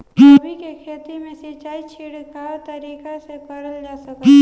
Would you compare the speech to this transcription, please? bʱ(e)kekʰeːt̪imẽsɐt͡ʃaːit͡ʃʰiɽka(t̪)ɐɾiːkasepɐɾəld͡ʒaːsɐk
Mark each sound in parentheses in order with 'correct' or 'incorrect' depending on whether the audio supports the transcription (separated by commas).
incorrect, correct